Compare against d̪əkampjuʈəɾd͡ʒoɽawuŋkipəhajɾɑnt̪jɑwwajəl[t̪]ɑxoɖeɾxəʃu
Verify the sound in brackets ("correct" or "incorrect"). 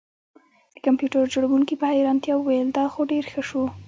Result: incorrect